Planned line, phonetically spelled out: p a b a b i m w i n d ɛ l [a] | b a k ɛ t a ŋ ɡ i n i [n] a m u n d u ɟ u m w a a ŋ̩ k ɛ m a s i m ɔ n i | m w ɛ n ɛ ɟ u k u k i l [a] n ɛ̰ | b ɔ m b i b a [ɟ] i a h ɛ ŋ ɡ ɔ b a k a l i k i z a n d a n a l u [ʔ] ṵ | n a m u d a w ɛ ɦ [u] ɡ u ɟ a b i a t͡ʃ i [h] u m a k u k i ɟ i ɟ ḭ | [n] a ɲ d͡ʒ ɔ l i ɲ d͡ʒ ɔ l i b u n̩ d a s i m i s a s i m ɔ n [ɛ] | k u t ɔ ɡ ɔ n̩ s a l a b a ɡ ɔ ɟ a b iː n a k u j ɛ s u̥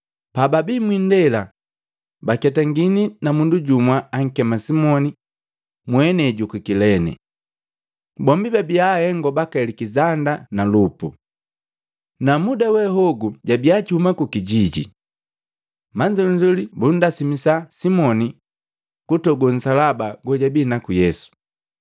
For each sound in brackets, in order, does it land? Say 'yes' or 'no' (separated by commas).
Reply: yes, yes, no, no, no, no, yes, no, no